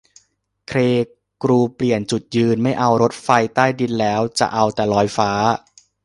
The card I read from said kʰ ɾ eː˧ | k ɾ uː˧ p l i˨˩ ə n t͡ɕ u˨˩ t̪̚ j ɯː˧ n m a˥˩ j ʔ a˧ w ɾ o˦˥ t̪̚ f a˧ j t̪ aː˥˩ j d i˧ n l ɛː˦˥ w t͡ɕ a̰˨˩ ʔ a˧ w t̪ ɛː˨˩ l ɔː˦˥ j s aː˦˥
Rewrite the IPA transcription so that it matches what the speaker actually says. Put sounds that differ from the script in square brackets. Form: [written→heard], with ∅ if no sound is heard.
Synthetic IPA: kʰ ɾ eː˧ | k ɾ uː˧ p l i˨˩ ə n t͡ɕ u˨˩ t̪̚ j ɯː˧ n m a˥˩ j ʔ a˧ w ɾ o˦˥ t̪̚ f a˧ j t̪ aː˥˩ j d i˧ n l ɛː˦˥ w t͡ɕ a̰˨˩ ʔ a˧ w t̪ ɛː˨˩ l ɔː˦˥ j [s→f] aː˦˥